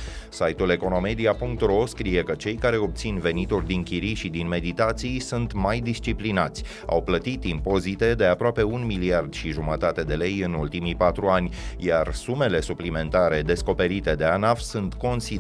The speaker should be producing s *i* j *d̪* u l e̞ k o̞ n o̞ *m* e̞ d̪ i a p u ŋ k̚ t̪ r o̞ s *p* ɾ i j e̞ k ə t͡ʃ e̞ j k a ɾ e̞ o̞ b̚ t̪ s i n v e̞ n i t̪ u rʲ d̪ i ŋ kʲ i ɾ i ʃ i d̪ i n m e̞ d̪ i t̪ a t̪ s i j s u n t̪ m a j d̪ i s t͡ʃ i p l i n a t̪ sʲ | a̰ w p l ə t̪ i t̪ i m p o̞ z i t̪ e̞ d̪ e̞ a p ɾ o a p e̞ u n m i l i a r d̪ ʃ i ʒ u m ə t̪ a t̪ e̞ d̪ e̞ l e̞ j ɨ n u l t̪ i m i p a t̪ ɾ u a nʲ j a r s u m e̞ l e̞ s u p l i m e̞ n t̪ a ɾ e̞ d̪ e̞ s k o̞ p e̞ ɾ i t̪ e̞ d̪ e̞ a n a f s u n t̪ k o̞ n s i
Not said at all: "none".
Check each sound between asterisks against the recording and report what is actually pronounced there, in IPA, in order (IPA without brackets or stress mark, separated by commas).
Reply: a, t̪, m, k